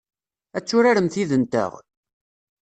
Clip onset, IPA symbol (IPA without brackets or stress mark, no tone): æ